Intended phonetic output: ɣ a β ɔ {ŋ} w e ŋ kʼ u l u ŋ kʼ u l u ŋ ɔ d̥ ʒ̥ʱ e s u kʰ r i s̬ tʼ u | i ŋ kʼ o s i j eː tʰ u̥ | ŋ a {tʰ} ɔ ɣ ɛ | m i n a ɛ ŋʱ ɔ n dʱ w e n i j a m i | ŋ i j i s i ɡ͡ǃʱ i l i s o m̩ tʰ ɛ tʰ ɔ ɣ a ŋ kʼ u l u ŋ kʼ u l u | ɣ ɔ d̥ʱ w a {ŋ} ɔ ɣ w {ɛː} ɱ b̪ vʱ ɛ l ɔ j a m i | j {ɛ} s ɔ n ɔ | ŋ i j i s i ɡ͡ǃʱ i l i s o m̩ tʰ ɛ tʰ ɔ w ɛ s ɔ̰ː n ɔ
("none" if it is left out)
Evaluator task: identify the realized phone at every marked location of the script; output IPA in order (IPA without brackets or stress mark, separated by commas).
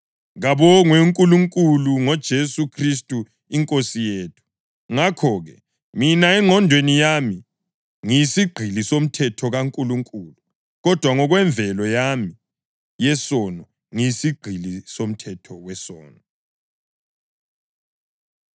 ŋ, kʰ, ŋ, ɛ, ɛ